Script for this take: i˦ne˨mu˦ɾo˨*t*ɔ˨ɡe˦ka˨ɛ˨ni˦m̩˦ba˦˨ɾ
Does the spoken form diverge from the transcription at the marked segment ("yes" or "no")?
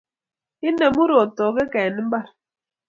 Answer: no